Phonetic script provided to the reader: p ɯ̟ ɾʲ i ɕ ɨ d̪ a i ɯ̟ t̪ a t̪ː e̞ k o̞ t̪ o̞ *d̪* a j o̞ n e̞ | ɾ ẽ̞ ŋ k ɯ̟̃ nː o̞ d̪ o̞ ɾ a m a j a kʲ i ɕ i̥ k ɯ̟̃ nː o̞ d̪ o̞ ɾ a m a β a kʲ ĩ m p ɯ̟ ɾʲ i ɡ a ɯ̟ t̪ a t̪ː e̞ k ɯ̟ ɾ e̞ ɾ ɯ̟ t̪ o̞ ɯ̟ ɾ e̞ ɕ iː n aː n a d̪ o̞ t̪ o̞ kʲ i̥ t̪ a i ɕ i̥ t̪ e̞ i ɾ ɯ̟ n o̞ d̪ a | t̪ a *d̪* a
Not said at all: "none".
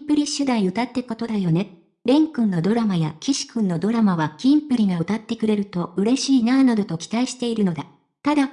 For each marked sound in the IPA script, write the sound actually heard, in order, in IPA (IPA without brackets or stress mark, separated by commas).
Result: d̪, d̪